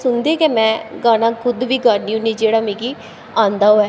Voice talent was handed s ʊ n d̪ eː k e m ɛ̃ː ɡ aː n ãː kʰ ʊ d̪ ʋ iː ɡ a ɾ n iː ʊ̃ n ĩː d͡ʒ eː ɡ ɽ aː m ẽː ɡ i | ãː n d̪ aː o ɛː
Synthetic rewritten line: s ʊ n d̪ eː k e m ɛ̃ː ɡ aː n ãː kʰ ʊ d̪ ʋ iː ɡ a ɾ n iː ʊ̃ n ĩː d͡ʒ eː ɽ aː m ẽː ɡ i | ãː n d̪ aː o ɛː